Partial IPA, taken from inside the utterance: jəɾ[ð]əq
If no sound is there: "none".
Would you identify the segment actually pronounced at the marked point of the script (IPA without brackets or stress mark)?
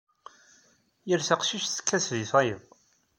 θ